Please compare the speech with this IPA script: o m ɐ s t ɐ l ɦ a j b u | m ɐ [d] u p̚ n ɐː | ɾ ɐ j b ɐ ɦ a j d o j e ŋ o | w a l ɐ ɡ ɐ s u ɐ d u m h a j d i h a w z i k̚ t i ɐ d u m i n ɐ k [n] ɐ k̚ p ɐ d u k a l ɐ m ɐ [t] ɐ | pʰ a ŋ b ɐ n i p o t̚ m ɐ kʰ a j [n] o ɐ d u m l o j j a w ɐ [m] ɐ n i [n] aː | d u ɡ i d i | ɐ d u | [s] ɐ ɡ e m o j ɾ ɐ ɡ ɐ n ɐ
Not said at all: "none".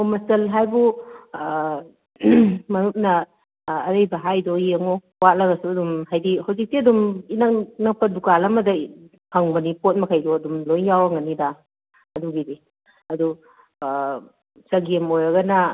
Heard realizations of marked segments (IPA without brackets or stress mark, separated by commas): n, n, d, d, ŋ, d, s